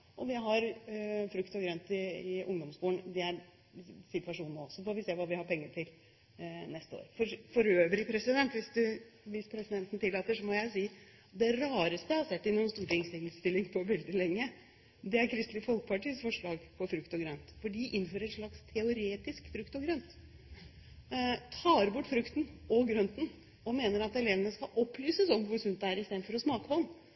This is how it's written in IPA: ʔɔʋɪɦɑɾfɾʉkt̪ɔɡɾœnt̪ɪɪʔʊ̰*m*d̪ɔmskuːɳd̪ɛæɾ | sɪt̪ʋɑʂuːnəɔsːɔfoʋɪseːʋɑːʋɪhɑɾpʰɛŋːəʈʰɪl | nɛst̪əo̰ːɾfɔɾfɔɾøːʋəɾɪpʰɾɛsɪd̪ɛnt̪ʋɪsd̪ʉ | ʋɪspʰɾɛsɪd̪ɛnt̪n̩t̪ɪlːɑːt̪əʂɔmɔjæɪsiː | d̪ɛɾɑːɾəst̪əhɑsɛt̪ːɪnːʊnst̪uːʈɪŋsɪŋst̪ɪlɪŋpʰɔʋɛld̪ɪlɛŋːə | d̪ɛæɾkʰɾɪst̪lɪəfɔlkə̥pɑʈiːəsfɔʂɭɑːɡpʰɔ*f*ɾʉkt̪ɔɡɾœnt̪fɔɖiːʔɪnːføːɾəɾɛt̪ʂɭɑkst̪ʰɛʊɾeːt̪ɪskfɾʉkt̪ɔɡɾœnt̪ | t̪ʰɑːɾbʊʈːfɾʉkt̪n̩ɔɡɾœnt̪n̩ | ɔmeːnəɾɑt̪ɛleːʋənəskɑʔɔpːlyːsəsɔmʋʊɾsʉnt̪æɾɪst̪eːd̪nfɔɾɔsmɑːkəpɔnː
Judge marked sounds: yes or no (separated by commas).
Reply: no, yes